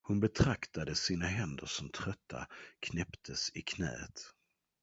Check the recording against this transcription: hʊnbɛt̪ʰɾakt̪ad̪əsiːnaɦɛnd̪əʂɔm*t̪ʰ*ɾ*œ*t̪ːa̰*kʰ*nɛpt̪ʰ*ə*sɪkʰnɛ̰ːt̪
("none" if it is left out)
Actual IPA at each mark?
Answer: t̪ʰ, œ, kʰ, ə

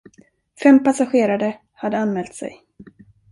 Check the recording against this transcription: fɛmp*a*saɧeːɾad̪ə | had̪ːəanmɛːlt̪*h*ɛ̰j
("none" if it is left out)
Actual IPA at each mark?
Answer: a, s

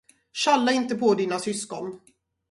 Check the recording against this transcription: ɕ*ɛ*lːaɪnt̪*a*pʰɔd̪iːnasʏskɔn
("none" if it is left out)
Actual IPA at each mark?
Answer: a, ə

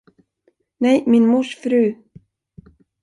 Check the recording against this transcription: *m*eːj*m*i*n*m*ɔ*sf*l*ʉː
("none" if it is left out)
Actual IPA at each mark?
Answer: n, m, n, u, ɾ

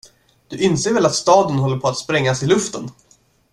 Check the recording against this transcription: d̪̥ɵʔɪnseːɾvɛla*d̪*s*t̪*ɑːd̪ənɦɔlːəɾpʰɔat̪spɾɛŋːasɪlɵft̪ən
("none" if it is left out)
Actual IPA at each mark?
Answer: t̪, t̪

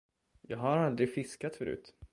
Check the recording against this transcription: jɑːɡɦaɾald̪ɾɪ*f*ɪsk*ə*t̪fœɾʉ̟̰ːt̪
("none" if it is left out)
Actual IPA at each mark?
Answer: f, a

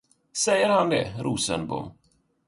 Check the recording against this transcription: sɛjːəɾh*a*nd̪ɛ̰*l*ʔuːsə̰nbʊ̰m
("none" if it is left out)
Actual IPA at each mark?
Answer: a, ɾ

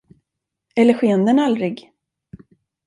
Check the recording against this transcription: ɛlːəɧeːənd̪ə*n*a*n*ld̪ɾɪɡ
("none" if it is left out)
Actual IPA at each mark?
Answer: n, none

